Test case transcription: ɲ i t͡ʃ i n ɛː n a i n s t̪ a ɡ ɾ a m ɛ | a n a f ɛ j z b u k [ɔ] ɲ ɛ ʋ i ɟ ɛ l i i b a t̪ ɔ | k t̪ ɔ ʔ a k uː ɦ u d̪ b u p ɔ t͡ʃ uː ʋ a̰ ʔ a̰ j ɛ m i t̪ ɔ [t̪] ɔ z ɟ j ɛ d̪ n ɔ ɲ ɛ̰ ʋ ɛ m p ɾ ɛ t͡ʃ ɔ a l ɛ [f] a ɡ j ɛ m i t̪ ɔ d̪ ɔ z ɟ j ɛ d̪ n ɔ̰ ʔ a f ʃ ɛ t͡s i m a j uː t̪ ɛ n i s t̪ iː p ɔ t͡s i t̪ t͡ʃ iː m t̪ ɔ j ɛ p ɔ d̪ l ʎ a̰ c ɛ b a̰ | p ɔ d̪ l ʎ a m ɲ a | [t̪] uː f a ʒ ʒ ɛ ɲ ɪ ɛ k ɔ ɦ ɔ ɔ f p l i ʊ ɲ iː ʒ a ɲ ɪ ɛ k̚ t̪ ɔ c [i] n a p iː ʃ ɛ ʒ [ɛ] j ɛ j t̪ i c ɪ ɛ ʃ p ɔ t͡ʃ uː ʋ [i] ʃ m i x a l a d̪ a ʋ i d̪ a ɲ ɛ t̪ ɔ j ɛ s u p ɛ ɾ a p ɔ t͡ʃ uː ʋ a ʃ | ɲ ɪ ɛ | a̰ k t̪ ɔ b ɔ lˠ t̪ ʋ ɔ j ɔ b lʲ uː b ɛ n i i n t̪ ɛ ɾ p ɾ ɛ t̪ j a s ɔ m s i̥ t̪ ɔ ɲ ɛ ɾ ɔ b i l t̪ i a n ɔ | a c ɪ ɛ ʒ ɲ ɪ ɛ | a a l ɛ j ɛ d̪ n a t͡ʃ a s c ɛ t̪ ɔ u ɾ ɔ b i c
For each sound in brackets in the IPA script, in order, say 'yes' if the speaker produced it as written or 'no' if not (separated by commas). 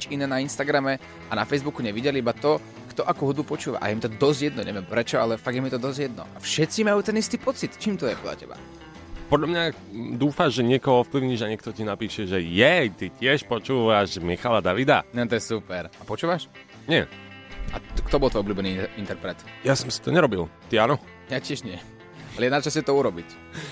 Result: no, no, yes, no, yes, yes, no